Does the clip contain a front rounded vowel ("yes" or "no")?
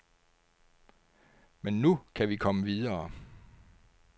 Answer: no